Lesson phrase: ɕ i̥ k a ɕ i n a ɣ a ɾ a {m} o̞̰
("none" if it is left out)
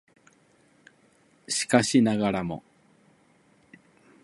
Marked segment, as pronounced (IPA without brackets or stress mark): m